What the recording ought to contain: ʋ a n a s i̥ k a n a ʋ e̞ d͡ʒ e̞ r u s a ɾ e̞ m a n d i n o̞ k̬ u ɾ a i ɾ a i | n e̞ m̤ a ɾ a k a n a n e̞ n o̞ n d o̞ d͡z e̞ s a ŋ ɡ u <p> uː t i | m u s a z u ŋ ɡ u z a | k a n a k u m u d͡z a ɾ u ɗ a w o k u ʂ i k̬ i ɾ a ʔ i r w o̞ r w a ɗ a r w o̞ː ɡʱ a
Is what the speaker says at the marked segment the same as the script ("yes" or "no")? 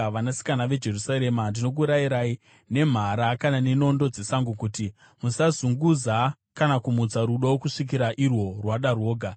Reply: no